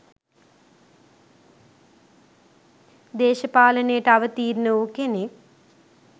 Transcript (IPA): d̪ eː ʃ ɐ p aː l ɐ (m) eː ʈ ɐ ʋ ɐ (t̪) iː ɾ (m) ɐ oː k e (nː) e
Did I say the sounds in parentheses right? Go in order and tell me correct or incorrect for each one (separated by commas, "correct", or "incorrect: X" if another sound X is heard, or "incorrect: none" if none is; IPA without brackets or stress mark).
incorrect: n, correct, incorrect: n, incorrect: n